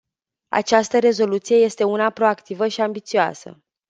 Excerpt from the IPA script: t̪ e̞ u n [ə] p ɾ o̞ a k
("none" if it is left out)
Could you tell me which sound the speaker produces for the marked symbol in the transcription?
a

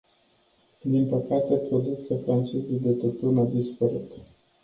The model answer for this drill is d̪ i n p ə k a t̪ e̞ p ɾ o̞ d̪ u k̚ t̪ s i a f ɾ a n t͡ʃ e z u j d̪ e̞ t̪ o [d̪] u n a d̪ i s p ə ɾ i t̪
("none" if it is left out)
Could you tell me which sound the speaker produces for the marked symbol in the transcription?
t̪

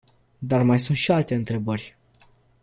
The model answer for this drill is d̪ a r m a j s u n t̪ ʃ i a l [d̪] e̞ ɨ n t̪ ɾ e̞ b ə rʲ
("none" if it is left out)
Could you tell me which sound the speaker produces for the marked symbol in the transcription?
t̪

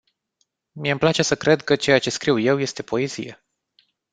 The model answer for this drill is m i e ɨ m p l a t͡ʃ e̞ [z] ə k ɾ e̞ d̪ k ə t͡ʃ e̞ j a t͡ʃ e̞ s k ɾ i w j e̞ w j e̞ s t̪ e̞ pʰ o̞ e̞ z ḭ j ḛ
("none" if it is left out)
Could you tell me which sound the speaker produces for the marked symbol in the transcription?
s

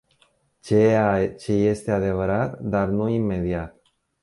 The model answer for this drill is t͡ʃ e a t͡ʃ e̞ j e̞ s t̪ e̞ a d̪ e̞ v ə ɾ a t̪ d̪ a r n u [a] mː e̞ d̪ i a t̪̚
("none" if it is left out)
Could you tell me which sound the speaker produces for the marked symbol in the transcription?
i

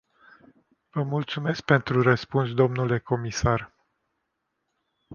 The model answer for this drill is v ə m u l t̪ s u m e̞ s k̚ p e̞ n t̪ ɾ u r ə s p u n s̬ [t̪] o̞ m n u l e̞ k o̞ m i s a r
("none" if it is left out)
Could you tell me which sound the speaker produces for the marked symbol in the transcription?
d̪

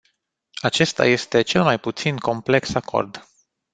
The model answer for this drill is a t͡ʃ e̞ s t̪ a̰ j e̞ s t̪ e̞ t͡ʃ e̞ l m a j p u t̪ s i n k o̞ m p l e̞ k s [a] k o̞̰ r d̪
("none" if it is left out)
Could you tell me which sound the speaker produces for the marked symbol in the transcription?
a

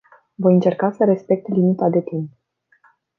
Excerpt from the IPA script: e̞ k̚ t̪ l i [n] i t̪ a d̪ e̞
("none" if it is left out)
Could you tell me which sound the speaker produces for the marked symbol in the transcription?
m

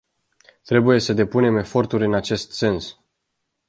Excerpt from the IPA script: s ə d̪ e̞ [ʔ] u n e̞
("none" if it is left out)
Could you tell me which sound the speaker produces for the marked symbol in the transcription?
p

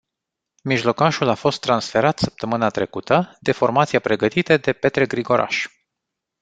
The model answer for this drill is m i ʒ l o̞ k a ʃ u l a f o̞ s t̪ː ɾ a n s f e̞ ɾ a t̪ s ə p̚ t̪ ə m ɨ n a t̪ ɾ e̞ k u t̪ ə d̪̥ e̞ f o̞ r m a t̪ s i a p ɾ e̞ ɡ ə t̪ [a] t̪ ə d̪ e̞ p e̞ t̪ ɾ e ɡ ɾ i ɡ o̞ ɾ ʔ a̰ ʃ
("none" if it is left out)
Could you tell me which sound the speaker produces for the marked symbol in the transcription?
i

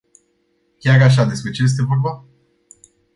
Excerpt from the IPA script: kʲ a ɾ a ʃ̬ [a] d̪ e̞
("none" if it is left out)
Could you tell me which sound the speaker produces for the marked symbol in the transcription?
a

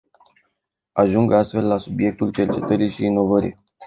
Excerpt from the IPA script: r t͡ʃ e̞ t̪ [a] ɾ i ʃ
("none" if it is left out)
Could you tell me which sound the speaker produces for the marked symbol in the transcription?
ə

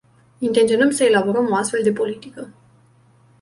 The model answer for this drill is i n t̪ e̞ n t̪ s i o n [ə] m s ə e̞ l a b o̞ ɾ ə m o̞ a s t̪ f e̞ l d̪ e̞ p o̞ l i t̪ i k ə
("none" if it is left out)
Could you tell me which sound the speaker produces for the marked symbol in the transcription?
ə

